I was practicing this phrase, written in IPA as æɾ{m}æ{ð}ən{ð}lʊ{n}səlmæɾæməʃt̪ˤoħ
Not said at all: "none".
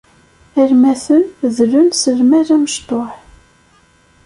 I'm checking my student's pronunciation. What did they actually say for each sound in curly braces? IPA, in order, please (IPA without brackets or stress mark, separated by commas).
m, θ, ð, n